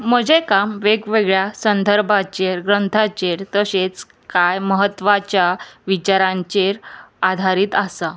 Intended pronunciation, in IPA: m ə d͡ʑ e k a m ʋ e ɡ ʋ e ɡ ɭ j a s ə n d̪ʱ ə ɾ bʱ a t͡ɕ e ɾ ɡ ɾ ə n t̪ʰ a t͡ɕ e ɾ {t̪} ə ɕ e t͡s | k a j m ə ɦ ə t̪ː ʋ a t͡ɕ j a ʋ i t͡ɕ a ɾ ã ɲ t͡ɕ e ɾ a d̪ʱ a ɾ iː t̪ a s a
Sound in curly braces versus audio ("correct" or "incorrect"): correct